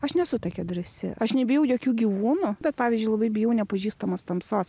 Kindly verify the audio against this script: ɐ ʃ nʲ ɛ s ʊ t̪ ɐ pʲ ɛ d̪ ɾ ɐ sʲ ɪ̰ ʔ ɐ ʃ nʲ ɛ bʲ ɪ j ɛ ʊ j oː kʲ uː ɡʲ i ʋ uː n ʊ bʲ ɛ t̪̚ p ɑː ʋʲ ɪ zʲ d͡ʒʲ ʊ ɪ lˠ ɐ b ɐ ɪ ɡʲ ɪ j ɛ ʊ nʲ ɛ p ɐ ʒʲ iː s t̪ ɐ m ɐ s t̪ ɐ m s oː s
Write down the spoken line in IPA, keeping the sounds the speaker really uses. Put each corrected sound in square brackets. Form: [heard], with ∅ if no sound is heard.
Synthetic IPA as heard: ɐ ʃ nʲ ɛ s ʊ t̪ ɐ [kʲ] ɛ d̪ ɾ ɐ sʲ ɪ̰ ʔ ɐ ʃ nʲ ɛ bʲ ɪ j ɛ ʊ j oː kʲ uː ɡʲ i ʋ uː n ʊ bʲ ɛ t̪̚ p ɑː ʋʲ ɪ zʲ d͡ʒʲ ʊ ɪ lˠ ɐ b ɐ ɪ [bʲ] ɪ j ɛ ʊ nʲ ɛ p ɐ ʒʲ iː s t̪ ɐ m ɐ s t̪ ɐ m s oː s